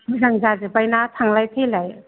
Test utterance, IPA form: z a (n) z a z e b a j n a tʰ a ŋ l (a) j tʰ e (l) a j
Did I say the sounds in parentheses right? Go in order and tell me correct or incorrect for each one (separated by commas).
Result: incorrect, correct, correct